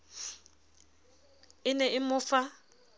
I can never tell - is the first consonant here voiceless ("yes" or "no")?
no